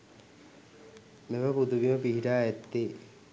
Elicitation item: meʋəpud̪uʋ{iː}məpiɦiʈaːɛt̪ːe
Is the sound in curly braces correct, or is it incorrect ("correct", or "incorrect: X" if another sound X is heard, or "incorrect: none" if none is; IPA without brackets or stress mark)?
incorrect: i